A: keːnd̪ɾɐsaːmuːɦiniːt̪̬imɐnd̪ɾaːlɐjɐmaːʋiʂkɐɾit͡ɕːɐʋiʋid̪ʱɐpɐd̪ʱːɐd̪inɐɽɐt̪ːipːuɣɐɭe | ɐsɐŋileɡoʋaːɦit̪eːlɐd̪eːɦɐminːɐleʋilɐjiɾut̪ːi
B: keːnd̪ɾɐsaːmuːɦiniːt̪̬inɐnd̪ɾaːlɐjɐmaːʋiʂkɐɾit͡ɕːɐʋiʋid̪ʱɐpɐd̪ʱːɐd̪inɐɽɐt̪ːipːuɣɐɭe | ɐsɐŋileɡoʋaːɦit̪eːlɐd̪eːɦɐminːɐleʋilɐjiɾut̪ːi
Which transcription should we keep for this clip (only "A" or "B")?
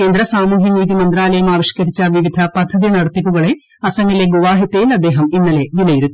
A